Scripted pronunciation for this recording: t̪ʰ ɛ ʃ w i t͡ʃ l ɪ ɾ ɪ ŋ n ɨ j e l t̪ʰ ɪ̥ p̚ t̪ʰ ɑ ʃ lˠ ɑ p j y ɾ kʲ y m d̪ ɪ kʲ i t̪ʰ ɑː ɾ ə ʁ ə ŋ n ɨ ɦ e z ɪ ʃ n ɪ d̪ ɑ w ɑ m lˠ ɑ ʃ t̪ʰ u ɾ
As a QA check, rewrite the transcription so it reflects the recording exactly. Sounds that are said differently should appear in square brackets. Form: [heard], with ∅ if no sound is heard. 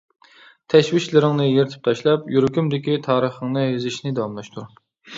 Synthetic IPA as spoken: t̪ʰ ɛ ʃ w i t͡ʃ l ɪ ɾ ɪ ŋ n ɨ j e [ɾ] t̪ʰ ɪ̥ p̚ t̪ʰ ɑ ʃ lˠ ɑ p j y ɾ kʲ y m d̪ ɪ kʲ i t̪ʰ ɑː ɾ ə [χ] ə ŋ n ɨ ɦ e z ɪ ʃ n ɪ d̪ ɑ w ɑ m lˠ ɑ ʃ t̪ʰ u ɾ